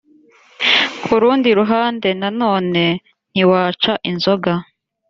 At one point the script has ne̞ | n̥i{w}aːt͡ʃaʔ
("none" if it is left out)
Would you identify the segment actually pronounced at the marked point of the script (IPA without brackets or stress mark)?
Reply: w